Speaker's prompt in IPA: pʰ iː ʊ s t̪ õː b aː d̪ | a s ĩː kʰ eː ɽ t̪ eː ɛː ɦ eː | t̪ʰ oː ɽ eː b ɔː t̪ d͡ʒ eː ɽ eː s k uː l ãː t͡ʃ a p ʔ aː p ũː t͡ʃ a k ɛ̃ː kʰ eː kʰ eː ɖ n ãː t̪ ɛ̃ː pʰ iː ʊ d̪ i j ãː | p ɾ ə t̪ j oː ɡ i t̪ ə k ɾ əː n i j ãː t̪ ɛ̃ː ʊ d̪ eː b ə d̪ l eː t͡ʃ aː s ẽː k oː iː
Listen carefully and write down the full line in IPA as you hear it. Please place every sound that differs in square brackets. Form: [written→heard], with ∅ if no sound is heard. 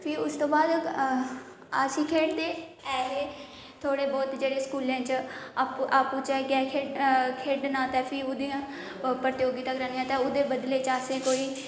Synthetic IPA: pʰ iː ʊ s t̪ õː b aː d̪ | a s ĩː kʰ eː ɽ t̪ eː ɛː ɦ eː | t̪ʰ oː ɽ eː b ɔː t̪ d͡ʒ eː ɽ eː s k uː l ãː t͡ʃ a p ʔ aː p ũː t͡ʃ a k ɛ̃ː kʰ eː kʰ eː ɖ n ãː t̪ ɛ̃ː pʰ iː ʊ d̪ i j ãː | p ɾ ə t̪ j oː ɡ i t̪ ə k ɾ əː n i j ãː t̪ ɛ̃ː ʊ d̪ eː b ə d̪ l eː t͡ʃ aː s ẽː k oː iː

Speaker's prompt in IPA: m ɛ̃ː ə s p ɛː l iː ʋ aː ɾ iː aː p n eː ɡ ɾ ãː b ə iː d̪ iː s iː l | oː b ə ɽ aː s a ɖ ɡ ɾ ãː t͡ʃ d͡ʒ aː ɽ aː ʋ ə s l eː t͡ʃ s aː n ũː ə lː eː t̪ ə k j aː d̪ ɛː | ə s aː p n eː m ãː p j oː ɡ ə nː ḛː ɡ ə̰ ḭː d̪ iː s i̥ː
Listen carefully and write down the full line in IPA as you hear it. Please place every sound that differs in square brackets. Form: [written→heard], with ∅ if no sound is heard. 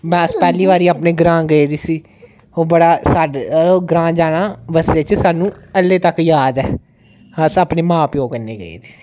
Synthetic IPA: m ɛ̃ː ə s p ɛː l iː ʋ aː ɾ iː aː p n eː ɡ ɾ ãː [b→ɡ] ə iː d̪ iː s iː [l→∅] | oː b ə ɽ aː s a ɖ ɡ ɾ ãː [t͡ʃ→∅] d͡ʒ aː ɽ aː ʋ ə s l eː t͡ʃ s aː n ũː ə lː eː t̪ ə k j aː d̪ ɛː | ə s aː p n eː m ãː p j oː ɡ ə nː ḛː ɡ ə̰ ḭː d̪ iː s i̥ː

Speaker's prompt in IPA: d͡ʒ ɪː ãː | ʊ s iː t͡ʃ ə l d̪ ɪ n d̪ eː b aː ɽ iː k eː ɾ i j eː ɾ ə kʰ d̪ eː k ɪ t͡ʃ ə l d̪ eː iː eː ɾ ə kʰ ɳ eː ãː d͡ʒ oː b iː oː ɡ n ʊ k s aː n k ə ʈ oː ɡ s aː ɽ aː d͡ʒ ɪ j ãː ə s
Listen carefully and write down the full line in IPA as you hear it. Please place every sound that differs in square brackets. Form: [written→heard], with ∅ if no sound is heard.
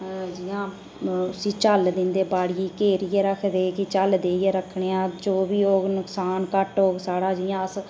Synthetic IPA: d͡ʒ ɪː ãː | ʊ s iː t͡ʃ ə l d̪ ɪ n d̪ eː b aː ɽ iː k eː ɾ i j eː ɾ ə kʰ d̪ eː k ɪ t͡ʃ ə l d̪ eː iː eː ɾ ə kʰ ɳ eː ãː d͡ʒ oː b iː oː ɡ n ʊ k s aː n k ə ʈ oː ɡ s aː ɽ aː d͡ʒ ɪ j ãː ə s

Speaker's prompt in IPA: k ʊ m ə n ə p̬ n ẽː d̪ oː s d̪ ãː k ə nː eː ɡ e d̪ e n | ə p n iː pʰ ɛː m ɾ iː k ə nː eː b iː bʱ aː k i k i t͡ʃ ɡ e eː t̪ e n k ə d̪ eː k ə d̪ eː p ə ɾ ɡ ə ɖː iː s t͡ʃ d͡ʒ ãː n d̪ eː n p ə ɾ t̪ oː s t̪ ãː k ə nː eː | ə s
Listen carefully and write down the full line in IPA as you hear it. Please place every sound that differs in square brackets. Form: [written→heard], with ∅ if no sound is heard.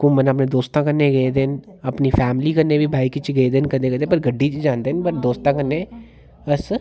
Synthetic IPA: k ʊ m ə n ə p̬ n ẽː d̪ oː s [d̪→t̪] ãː k ə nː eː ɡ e d̪ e n | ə p n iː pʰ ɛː m [ɾ→l] iː k ə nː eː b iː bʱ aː [k→∅] i k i t͡ʃ ɡ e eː [t̪→d̪] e n k ə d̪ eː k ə d̪ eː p ə ɾ ɡ ə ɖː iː [s→∅] t͡ʃ d͡ʒ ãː n d̪ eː n p ə ɾ [t̪→d̪] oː s t̪ ãː k ə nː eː | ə s

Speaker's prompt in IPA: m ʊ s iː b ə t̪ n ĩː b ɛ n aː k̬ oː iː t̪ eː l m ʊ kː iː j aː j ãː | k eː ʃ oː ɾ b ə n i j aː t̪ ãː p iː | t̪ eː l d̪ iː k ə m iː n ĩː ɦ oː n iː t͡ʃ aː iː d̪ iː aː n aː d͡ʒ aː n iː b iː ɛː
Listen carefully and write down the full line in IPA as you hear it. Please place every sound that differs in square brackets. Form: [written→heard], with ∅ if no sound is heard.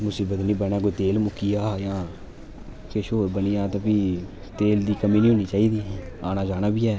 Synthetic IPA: m ʊ s iː b ə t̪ n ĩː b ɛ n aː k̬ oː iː t̪ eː l m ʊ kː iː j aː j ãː | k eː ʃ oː ɾ b ə n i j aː t̪ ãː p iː | t̪ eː l d̪ iː k ə m iː n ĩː ɦ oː n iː t͡ʃ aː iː d̪ iː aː n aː d͡ʒ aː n [iː→aː] b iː ɛː

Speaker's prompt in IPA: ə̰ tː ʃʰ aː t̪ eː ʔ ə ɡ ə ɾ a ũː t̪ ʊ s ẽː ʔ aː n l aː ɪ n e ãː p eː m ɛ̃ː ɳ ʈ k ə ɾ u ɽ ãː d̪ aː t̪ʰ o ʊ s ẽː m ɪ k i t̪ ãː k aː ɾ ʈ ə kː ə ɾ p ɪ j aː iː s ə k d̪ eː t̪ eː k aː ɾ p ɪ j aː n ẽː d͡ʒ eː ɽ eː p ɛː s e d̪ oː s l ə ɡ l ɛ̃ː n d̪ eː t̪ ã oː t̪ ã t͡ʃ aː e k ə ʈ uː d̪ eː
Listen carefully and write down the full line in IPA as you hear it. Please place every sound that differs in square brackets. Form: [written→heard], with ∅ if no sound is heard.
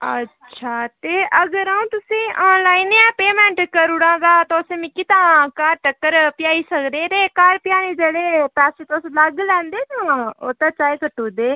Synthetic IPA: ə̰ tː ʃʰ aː t̪ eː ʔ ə ɡ ə ɾ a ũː t̪ ʊ s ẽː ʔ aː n l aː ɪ n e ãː p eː m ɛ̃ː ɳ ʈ k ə ɾ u ɽ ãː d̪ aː [t̪ʰ→t̪] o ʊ s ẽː m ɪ k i t̪ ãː k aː ɾ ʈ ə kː ə ɾ p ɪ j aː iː s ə k d̪ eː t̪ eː k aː ɾ p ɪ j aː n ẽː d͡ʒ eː ɽ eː p ɛː s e [d̪→t̪] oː s l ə ɡ l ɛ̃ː n d̪ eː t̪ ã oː t̪ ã t͡ʃ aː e k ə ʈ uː d̪ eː

